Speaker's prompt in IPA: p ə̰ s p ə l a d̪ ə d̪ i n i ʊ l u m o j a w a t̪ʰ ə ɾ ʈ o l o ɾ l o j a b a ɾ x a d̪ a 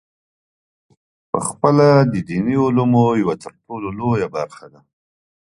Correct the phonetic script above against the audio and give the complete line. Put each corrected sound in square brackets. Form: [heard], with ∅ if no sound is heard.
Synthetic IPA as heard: p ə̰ [x] p ə l a d̪ ə d̪ i n i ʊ l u m o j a w a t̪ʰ ə ɾ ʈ o l o [∅] l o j a b a ɾ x a d̪ a

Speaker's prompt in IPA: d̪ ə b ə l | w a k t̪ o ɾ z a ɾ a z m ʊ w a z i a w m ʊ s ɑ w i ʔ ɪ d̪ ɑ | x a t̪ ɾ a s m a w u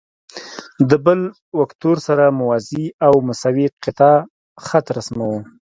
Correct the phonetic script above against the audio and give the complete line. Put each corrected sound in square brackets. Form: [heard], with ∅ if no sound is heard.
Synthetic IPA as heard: d̪ ə b ə l | w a k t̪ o ɾ [s] a ɾ a [∅] m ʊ w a z i a w m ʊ s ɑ w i [q] ɪ [t̪] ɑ | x a t̪ ɾ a s m a w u

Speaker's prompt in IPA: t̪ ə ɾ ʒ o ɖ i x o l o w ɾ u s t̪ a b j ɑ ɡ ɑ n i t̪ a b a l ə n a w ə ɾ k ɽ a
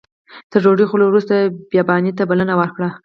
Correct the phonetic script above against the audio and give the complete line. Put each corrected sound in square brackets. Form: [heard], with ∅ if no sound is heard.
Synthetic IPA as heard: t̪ ə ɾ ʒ o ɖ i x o l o w ɾ u s t̪ a b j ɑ [b] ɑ n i t̪ a b a l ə n a w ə ɾ k ɽ a

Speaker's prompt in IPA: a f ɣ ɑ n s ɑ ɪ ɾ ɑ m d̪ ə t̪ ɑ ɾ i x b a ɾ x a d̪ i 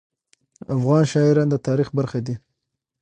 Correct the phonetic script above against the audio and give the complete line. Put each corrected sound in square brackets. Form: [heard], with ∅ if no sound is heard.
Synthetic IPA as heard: a f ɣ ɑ n [ʃ] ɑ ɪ ɾ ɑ [n] d̪ ə t̪ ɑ ɾ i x b a ɾ x a d̪ i

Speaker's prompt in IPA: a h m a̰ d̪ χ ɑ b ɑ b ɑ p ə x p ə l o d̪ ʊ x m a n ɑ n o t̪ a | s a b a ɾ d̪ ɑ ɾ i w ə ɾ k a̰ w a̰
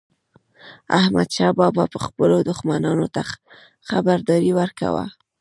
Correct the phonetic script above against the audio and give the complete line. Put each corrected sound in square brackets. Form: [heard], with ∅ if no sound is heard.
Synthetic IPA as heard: a h m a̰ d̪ [ʃ] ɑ b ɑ b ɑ p ə x p ə l o d̪ ʊ x m a n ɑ n o t̪ a | [x] a b a ɾ d̪ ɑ ɾ i w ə ɾ k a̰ w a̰

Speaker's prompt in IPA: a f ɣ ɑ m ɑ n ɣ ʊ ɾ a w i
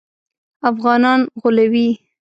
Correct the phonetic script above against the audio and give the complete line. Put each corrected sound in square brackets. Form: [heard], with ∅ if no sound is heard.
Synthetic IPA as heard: a f ɣ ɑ [n] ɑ n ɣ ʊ [l] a w i

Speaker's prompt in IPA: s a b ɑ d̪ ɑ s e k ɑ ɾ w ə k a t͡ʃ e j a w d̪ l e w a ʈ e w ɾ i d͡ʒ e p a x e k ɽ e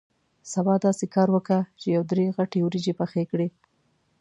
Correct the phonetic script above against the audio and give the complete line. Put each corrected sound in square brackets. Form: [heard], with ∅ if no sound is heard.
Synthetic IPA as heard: s a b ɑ d̪ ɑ s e k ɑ ɾ w ə k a t͡ʃ e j a w d̪ [ɾ] e [ɣ] a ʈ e w ɾ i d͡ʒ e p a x e k ɽ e

